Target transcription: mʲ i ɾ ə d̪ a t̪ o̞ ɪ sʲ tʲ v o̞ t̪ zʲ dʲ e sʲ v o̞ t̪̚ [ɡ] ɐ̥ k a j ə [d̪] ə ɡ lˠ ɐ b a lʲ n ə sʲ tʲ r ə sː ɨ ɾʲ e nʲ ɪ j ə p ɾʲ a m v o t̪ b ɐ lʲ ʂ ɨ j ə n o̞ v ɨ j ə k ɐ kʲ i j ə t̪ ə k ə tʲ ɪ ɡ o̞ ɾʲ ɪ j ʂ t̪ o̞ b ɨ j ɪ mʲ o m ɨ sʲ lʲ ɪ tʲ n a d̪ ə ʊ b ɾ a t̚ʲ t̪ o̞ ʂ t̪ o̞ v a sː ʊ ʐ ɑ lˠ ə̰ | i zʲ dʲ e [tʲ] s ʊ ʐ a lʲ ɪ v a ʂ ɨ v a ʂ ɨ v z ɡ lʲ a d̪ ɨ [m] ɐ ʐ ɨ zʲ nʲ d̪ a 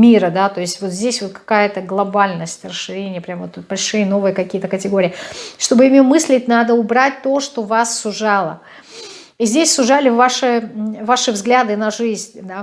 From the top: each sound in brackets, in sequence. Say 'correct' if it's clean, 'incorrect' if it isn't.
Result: incorrect: k, incorrect: t̪, incorrect: sʲ, incorrect: n

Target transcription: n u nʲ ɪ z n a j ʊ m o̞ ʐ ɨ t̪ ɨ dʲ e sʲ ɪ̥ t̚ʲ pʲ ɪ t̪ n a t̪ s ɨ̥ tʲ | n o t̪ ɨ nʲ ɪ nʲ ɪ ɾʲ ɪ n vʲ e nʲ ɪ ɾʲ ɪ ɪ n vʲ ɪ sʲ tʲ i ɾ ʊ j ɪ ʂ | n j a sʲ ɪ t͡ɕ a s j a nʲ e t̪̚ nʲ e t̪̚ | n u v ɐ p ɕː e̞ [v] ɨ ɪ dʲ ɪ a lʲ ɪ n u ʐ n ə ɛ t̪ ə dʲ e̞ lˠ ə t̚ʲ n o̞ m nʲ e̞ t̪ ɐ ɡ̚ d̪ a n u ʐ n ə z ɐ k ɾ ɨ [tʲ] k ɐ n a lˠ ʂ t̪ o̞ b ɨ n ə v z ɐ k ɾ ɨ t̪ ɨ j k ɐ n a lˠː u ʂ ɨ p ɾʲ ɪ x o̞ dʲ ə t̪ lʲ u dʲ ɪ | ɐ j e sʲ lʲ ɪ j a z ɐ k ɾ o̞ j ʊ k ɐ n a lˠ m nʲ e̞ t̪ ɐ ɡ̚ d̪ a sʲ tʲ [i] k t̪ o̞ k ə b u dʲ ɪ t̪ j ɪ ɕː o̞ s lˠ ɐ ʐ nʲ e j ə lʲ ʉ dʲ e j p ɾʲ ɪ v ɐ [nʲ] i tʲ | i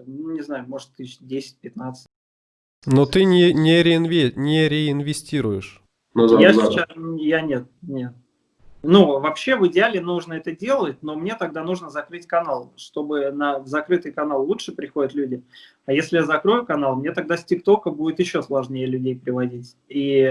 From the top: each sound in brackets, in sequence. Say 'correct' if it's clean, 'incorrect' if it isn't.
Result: correct, correct, incorrect: ɪ, incorrect: dʲ

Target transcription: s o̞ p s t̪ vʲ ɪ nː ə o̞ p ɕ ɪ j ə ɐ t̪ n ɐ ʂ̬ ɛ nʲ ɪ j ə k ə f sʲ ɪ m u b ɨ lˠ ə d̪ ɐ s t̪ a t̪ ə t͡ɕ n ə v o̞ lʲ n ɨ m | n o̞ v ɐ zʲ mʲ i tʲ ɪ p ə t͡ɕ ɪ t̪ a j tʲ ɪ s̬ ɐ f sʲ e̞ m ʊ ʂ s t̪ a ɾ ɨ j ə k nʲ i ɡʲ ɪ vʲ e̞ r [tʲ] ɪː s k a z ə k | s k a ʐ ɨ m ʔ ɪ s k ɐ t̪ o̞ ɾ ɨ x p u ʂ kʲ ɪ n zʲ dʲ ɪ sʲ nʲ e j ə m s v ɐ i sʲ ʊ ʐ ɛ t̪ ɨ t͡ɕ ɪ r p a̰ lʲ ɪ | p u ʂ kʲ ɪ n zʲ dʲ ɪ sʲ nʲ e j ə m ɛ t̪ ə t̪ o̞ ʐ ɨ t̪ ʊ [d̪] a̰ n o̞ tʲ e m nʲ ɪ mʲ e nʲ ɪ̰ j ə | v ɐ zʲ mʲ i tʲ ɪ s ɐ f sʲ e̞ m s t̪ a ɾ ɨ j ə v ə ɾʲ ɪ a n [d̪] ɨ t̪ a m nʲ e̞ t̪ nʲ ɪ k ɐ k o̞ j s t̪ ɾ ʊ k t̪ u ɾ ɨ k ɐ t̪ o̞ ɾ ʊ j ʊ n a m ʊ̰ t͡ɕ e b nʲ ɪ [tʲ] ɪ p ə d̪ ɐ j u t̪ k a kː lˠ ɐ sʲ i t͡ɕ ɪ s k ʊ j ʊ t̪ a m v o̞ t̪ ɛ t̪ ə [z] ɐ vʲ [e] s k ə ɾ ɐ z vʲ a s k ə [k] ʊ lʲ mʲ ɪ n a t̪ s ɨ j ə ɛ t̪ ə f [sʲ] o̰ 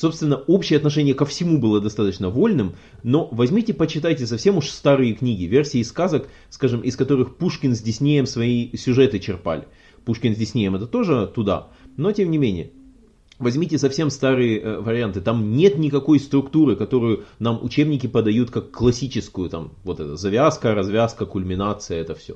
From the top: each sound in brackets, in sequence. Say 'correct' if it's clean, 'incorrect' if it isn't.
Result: incorrect: sʲ, correct, incorrect: t̪, incorrect: kʲ, correct, incorrect: a, correct, correct

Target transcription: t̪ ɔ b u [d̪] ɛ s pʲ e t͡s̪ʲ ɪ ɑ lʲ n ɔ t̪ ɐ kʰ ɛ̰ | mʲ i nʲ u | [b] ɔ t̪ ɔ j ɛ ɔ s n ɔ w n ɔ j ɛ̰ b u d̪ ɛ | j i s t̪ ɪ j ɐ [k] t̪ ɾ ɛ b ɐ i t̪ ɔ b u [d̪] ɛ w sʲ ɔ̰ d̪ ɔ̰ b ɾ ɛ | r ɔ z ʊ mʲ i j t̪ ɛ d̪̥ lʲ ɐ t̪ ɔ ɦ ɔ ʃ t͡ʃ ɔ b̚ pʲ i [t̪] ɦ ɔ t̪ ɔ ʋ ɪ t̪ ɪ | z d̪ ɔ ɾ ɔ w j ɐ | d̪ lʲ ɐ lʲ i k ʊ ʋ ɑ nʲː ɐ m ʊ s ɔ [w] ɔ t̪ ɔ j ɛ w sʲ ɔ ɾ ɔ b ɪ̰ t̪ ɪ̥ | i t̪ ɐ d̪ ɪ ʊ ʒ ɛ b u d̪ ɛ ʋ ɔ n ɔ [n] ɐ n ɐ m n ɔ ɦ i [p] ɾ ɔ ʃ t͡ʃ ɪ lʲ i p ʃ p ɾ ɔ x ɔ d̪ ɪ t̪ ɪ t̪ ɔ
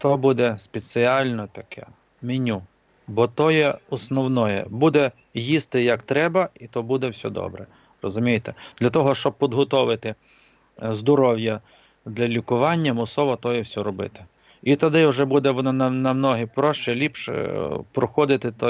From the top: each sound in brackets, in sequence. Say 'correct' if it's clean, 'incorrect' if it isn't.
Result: correct, correct, correct, correct, incorrect: d̪, incorrect: ʋ, correct, correct

